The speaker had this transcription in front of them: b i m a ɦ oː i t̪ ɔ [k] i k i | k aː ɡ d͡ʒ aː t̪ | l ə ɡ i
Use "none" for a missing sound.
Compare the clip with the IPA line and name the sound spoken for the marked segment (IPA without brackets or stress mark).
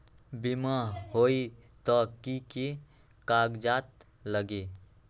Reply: k